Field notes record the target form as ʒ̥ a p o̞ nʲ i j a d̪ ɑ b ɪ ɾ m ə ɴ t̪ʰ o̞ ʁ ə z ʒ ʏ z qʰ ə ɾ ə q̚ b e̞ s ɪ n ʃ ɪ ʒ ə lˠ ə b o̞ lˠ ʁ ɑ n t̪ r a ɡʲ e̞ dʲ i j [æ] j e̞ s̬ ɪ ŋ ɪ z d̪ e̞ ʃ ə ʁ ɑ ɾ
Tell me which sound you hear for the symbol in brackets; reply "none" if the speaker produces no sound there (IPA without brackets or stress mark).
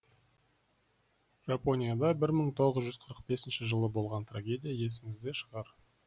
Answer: a